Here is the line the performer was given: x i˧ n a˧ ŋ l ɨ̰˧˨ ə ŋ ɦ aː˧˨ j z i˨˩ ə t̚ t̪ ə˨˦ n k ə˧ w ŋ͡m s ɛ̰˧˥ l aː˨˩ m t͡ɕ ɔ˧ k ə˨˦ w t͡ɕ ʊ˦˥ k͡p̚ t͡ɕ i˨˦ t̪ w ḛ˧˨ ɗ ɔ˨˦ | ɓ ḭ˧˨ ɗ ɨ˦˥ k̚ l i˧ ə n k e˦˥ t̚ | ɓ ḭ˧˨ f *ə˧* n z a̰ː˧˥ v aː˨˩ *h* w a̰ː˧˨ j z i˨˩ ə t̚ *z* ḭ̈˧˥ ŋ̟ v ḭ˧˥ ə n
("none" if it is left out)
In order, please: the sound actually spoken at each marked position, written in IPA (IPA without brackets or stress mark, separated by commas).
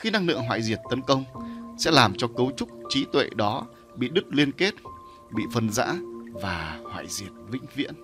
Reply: ə˧, h, v